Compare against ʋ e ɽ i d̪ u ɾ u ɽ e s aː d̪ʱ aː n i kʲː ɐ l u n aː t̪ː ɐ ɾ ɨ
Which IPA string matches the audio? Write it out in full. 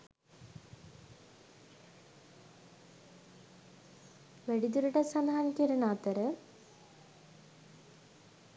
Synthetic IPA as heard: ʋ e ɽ i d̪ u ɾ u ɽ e s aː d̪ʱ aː n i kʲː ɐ ɾ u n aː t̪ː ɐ ɾ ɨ